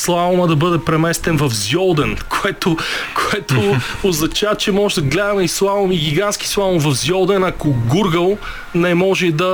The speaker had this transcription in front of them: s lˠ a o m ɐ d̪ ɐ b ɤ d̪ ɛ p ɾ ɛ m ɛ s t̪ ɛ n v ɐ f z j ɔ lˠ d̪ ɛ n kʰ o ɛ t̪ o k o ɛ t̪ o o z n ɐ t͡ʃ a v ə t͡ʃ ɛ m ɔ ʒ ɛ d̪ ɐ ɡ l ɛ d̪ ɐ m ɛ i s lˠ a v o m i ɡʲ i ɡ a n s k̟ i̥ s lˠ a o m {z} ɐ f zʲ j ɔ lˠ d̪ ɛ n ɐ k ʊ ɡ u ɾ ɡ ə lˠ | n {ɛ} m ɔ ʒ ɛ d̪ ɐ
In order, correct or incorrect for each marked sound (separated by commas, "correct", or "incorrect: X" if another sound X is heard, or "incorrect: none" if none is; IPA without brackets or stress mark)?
incorrect: v, correct